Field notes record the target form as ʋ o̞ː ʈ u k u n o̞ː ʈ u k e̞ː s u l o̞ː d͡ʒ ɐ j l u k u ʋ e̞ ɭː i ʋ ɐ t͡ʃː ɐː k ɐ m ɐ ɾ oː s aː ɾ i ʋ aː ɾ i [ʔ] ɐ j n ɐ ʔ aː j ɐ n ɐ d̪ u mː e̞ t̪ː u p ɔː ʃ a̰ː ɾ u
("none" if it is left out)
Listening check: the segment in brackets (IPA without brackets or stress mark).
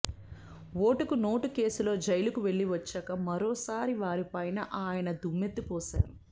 p